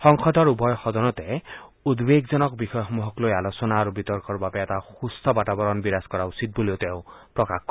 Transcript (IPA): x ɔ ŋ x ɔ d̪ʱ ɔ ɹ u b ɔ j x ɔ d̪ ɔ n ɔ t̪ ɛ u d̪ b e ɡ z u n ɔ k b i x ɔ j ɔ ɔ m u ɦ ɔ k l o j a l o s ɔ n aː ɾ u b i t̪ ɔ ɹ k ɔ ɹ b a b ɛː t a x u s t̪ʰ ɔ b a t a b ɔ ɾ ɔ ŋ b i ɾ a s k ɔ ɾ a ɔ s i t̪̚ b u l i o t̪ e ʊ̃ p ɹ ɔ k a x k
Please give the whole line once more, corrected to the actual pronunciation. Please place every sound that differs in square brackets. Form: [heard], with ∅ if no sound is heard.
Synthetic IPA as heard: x ɔ ŋ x ɔ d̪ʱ ɔ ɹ u b ɔ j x ɔ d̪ ɔ n ɔ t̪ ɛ u d̪ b e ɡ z [ɔ] n ɔ k b i x ɔ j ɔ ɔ m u ɦ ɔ k l o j a l o s ɔ n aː ɾ u b i t̪ ɔ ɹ k ɔ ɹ b a b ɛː t a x u s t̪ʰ ɔ b a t a b ɔ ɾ ɔ [n] b i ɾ a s k ɔ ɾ a [u] s i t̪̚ b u l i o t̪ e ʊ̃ p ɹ ɔ k a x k

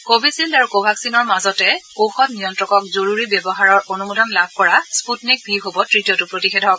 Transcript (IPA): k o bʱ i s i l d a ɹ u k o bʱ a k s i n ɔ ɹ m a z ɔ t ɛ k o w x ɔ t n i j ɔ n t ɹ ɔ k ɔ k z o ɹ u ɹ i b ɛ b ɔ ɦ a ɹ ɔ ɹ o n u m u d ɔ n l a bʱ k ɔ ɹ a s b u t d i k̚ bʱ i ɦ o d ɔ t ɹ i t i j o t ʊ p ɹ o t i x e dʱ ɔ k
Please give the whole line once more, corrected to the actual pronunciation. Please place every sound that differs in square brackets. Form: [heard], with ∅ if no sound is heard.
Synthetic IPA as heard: k o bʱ i s i l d a ɹ u k o bʱ a k s i n ɔ ɹ m a z ɔ t ɛ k o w x ɔ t n i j ɔ n t ɹ ɔ k ɔ k z o ɹ u ɹ i b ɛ b ɔ ɦ a ɹ ɔ ɹ o n u m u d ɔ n l a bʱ k ɔ ɹ a s [p] u t [n] i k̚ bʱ i ɦ o [b] ɔ t ɹ i t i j [ɔ] t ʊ p ɹ o t i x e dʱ ɔ k

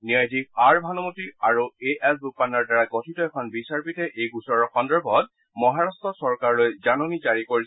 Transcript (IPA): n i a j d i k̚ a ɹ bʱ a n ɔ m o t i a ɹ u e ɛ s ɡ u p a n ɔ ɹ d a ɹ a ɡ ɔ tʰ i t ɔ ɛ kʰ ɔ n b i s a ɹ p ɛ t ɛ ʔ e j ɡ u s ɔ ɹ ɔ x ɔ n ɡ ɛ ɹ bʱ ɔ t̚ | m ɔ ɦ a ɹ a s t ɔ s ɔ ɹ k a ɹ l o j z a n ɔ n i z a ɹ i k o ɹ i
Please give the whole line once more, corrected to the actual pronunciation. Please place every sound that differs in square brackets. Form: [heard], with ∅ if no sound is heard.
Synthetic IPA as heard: n i a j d i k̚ a ɹ bʱ a n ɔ m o t i a ɹ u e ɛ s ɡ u p a n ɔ ɹ d a ɹ a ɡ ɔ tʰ i t ɔ ɛ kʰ ɔ n b i s a ɹ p [i] t ɛ ʔ e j ɡ u s ɔ ɹ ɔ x ɔ n [d] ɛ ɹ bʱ ɔ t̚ | m ɔ ɦ a ɹ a s t ɔ s ɔ ɹ k a ɹ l o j z a n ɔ n i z a ɹ i k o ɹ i

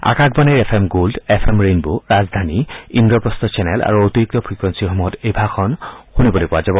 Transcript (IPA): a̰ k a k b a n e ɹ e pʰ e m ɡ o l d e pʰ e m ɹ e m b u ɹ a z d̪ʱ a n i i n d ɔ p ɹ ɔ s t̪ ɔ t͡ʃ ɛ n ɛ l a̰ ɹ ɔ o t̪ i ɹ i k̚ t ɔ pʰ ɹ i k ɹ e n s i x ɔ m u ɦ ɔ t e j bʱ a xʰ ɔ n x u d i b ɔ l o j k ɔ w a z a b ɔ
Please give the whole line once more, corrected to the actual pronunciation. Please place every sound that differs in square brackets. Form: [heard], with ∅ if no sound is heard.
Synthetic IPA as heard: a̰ k a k b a n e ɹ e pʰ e m ɡ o l d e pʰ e m ɹ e [n] b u ɹ a z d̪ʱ a n i i n d ɔ p ɹ ɔ s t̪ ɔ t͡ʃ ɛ n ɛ l a̰ ɹ [u] o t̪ i ɹ i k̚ t ɔ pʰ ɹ i k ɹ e n s i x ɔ m u ɦ ɔ t e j bʱ a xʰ ɔ n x u [n] i b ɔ l o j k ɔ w a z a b ɔ

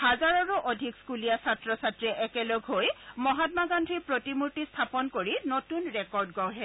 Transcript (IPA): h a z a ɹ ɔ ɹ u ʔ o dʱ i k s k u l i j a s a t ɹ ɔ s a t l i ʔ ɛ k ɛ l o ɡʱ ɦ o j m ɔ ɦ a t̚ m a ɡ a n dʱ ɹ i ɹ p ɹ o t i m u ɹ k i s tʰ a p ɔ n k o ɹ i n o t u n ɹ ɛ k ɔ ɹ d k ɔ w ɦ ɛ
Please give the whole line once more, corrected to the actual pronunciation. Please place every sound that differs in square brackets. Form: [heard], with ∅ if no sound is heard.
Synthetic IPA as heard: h a z a ɹ ɔ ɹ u ʔ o dʱ i k s k u l i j a s a t ɹ ɔ s a t [ɹ] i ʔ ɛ k ɛ l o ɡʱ ɦ o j m ɔ ɦ a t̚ m a ɡ a n dʱ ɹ i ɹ p ɹ o t i m u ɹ [t] i s tʰ a p ɔ n k o ɹ i n o t u n ɹ ɛ k ɔ ɹ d [ɡ] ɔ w ɦ ɛ

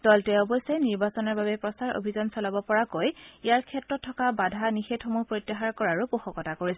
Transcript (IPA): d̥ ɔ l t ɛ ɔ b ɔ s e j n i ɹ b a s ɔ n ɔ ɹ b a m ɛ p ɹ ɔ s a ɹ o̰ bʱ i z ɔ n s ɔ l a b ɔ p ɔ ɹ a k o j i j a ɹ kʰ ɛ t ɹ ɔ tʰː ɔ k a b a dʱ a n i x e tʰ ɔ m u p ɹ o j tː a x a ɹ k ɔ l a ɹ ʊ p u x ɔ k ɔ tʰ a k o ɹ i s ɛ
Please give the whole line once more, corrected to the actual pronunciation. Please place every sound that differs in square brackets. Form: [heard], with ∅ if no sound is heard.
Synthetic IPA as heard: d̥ ɔ l t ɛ ɔ b ɔ s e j n i ɹ b a s ɔ n ɔ ɹ b a [b] ɛ p ɹ ɔ s a ɹ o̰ bʱ i z ɔ n s ɔ l a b ɔ p ɔ ɹ a k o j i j a ɹ kʰ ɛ t ɹ ɔ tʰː ɔ k a b a dʱ a n i x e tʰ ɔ m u p ɹ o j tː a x a ɹ k ɔ [ɹ] a ɹ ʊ p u x ɔ k ɔ [t] a k o ɹ i s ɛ

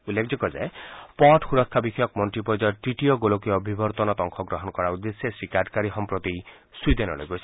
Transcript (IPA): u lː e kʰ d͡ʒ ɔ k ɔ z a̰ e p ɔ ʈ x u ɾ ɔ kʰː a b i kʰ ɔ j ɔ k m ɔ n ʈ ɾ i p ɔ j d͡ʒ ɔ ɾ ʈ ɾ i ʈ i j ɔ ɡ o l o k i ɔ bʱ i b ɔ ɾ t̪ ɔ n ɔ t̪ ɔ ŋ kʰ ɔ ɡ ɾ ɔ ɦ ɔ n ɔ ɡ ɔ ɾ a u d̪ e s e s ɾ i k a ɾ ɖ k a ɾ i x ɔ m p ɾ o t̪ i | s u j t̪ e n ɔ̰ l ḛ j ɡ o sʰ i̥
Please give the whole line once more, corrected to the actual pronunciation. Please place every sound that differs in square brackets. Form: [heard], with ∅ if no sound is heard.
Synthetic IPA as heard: u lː e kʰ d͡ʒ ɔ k ɔ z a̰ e p ɔ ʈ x u ɾ ɔ kʰː a b i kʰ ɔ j ɔ k m ɔ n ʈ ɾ i p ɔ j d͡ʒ ɔ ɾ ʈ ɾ i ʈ i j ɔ ɡ o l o k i ɔ bʱ i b ɔ ɾ t̪ ɔ n ɔ t̪ ɔ ŋ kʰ ɔ ɡ ɾ ɔ ɦ ɔ n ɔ [k] ɔ ɾ a u d̪ e s e s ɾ i k a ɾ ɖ k a ɾ i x ɔ m p ɾ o t̪ i | s u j [d̪] e n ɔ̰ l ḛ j ɡ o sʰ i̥

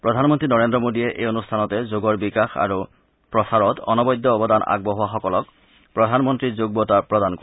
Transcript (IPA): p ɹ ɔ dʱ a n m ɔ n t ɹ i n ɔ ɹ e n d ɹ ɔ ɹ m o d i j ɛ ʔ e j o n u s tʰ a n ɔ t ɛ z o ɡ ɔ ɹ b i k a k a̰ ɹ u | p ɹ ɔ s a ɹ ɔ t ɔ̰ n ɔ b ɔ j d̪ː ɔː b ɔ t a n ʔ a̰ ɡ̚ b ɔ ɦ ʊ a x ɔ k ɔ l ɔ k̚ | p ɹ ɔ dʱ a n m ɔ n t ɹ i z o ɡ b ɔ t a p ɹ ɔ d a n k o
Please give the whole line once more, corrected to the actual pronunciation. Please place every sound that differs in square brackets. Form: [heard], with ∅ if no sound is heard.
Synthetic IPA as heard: p ɹ ɔ dʱ a n m ɔ n t ɹ i n ɔ ɹ e n d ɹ ɔ [∅] m o d i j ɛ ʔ e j o n u s tʰ a n ɔ t ɛ z o ɡ ɔ ɹ b i k a [x] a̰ ɹ u | p ɹ ɔ s a ɹ ɔ t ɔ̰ n ɔ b ɔ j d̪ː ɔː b ɔ [d] a n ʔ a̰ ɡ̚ b ɔ ɦ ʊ a x ɔ k ɔ l ɔ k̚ | p ɹ ɔ dʱ a n m ɔ n t ɹ i z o ɡ b ɔ t a p ɹ ɔ d a n k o

